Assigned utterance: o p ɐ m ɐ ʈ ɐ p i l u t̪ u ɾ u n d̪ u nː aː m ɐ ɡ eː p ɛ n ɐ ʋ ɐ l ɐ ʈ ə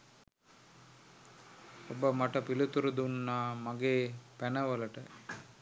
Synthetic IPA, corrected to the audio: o b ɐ m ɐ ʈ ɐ p i l u t̪ u ɾ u d̪ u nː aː m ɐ ɡ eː p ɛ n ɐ ʋ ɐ l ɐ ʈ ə